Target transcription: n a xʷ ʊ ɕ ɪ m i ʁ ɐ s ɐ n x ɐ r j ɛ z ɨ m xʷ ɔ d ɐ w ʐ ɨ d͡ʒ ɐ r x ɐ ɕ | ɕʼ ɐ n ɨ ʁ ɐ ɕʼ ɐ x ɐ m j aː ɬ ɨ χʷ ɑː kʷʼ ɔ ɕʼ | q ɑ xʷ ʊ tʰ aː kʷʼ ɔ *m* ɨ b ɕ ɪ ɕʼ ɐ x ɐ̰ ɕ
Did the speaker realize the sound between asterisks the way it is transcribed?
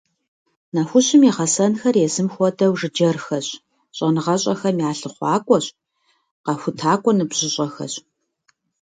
no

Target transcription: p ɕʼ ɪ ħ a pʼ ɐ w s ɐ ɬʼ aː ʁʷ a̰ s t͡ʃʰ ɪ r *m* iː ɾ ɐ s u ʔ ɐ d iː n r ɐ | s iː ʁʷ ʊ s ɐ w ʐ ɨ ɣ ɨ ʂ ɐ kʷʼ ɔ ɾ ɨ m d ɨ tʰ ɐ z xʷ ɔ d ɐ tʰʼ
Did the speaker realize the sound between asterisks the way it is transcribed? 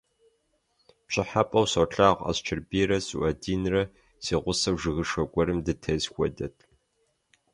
no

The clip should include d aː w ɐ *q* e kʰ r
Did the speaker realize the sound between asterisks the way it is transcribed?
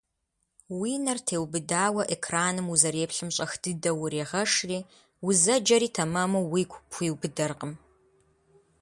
no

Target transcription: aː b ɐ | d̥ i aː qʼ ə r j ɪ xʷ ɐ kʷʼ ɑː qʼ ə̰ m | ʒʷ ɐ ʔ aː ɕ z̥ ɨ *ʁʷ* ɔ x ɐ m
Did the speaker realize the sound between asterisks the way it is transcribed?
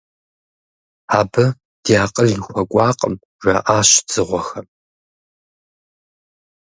yes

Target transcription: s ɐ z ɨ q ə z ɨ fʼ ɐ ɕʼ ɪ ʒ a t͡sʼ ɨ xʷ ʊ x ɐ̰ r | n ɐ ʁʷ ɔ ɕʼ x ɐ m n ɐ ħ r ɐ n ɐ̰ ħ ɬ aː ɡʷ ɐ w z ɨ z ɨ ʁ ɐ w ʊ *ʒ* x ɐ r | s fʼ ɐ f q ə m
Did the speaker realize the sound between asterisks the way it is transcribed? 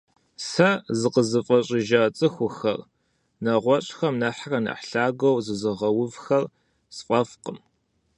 no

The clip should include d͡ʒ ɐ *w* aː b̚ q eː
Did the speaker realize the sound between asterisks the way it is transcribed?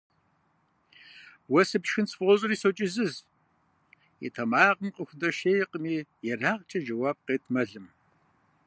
yes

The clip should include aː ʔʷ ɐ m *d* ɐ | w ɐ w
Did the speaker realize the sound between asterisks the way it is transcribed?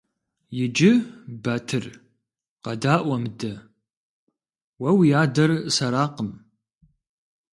yes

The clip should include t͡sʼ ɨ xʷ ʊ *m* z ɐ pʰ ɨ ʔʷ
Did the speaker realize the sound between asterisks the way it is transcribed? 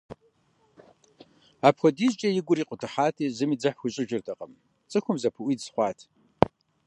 yes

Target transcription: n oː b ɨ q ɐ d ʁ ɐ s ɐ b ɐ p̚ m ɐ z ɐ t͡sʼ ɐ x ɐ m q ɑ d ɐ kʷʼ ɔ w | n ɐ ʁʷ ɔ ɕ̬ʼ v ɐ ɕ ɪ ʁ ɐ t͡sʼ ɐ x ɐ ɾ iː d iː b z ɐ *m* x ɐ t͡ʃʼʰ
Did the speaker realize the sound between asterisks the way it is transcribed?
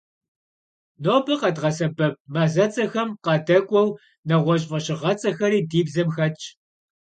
yes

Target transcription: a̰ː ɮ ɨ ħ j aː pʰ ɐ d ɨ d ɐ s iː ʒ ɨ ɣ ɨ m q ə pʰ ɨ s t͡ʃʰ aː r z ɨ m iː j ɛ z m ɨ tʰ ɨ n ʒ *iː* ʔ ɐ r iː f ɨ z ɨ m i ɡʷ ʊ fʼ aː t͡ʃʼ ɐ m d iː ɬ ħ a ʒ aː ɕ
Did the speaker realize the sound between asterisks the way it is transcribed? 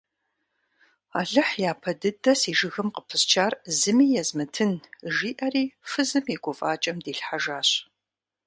yes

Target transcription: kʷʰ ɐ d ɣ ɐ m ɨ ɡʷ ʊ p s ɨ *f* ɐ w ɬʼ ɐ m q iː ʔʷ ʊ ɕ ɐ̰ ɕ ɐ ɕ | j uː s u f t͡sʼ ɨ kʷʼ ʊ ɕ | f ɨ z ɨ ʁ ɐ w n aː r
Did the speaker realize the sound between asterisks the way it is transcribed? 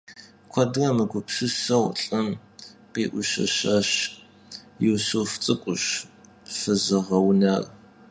no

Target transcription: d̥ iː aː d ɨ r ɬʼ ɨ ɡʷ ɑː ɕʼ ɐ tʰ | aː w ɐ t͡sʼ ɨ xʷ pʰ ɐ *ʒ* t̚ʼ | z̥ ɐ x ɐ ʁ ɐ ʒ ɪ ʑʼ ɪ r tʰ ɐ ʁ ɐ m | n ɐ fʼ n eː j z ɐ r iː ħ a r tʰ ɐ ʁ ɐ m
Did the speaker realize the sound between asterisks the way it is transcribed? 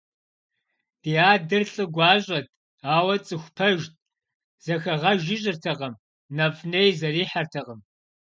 yes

